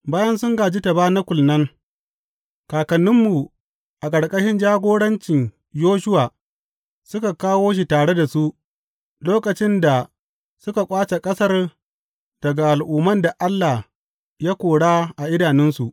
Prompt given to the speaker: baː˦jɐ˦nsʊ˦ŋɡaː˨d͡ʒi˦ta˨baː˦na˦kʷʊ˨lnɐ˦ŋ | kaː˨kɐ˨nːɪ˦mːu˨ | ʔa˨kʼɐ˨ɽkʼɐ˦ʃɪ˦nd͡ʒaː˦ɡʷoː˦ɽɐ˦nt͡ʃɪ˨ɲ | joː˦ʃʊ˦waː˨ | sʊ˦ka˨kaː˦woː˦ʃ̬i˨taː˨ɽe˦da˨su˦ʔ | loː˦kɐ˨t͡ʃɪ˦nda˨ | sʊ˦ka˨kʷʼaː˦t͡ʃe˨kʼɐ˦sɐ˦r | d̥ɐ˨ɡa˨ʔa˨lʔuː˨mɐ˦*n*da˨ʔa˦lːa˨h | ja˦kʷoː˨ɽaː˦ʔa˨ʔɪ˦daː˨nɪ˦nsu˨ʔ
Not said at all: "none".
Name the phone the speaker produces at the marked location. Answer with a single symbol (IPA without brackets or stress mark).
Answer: n